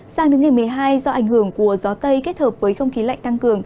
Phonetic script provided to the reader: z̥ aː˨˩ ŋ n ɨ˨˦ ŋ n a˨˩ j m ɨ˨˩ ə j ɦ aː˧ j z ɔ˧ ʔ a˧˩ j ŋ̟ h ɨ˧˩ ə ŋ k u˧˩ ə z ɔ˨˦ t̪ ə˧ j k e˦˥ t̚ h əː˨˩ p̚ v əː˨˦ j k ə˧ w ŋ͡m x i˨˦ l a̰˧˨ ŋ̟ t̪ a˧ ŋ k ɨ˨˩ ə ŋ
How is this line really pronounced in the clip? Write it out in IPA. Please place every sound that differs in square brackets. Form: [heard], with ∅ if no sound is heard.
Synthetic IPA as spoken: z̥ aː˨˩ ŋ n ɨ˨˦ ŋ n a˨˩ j m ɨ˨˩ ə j ɦ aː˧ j z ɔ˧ ʔ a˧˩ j ŋ̟ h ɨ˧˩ ə ŋ k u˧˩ ə z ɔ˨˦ t̪ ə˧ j k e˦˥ t̚ h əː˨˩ p̚ v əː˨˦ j [x] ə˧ w ŋ͡m x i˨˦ l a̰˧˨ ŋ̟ t̪ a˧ ŋ k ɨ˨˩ ə ŋ